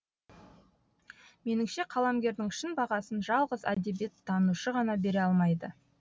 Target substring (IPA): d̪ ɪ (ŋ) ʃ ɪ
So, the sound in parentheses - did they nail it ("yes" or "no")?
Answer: yes